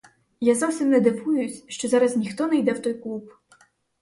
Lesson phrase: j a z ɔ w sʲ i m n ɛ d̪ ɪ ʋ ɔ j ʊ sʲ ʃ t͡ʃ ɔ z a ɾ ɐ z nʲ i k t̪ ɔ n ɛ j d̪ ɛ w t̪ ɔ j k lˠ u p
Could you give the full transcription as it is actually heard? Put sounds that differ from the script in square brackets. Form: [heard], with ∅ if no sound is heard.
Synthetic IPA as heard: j a z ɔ w sʲ i m n ɛ d̪ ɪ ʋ [u] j ʊ sʲ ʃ t͡ʃ ɔ z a ɾ ɐ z nʲ i [x] t̪ ɔ n ɛ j d̪ ɛ w t̪ ɔ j k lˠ u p